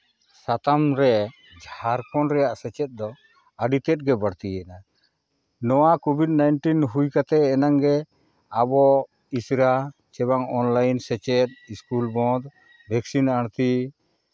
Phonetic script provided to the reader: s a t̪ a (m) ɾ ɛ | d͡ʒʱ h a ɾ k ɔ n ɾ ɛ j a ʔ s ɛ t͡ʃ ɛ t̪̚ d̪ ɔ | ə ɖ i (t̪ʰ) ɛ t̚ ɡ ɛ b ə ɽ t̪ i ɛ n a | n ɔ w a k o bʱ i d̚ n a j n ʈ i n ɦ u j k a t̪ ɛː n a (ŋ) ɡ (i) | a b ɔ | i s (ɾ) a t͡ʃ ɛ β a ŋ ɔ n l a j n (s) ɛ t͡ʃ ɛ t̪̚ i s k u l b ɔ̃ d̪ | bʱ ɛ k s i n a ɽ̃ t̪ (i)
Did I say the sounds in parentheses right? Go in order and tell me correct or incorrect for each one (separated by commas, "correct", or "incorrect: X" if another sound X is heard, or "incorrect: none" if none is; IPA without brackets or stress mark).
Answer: correct, incorrect: t̪, correct, incorrect: ɛ, correct, correct, correct